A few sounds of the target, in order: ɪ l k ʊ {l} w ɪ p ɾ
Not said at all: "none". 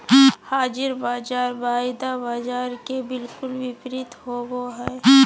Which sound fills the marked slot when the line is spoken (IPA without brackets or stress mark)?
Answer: l